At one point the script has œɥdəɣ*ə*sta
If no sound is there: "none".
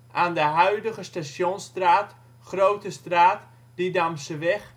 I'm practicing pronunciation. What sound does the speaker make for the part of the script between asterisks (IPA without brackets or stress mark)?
ə